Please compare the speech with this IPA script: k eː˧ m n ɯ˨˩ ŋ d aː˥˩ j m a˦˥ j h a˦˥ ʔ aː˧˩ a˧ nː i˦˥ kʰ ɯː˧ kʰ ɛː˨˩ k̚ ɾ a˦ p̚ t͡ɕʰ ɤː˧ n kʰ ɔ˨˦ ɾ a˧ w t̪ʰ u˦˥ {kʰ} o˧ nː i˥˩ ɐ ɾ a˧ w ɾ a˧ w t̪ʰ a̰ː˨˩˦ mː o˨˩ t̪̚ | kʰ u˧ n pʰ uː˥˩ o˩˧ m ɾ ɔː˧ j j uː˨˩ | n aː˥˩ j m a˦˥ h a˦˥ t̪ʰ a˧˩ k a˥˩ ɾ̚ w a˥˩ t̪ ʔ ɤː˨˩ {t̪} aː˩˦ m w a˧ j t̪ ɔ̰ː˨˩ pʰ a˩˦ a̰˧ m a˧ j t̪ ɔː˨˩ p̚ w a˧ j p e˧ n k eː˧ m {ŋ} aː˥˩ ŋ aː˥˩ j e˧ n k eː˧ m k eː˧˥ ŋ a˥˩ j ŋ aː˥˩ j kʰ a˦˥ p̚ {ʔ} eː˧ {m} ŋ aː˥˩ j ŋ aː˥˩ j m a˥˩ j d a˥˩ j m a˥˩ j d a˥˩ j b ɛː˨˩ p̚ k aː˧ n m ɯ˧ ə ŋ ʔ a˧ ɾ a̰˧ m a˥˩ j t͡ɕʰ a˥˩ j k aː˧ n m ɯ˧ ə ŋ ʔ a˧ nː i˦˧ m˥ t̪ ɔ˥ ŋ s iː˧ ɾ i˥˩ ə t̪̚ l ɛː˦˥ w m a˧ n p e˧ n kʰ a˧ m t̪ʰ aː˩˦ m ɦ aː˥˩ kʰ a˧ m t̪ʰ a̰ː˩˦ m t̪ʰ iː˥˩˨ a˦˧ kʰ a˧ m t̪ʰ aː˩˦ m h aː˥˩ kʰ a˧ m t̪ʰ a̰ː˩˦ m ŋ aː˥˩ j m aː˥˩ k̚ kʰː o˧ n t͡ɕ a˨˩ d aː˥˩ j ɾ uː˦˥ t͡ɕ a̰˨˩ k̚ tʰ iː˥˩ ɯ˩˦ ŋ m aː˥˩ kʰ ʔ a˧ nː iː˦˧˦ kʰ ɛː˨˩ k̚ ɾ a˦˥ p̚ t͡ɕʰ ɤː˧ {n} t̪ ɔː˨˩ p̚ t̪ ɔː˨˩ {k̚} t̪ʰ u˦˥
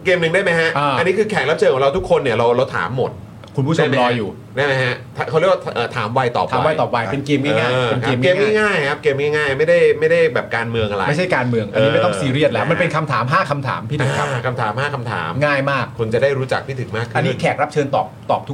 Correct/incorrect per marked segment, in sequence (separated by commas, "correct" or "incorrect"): correct, incorrect, correct, incorrect, correct, correct, incorrect